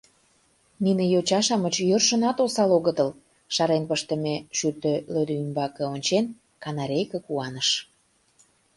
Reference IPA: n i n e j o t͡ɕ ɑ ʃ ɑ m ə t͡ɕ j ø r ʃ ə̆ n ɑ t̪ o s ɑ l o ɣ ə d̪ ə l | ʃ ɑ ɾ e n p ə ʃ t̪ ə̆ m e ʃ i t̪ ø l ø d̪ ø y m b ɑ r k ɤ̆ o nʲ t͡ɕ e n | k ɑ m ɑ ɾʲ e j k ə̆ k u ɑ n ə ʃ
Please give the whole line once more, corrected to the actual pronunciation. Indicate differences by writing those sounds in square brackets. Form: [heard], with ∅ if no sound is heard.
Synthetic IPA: n i n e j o t͡ɕ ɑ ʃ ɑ m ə t͡ɕ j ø r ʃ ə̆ n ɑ t̪ o s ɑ l o ɣ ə [t̪] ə l | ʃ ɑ ɾ e n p ə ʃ t̪ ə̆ m e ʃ [y] t̪ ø l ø d̪ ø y m b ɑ [∅] k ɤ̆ o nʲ t͡ɕ e n | k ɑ [n] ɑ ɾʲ e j k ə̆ k u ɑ n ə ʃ